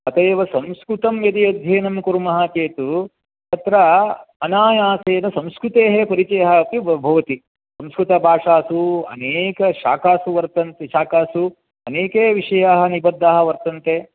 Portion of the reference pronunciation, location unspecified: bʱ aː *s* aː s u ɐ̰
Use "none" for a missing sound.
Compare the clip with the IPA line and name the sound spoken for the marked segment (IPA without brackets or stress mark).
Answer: ʂ